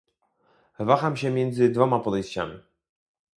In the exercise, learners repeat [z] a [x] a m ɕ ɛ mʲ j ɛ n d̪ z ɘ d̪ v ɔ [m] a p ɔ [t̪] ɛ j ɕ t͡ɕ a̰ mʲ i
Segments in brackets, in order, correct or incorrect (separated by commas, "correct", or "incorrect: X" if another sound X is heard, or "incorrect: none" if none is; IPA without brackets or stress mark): incorrect: v, correct, correct, incorrect: d̪